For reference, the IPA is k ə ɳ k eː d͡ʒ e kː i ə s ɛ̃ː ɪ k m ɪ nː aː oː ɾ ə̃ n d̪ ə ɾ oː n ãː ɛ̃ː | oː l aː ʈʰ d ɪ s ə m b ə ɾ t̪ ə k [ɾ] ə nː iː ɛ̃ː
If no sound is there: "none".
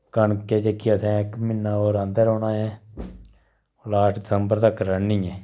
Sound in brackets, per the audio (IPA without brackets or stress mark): ɾ